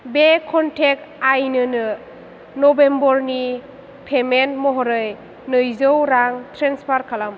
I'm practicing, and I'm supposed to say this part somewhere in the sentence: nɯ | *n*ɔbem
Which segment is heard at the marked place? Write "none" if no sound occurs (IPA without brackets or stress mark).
n